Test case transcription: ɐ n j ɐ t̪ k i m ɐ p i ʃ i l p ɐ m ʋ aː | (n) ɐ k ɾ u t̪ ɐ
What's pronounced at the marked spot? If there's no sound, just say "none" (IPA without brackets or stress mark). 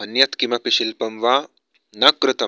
n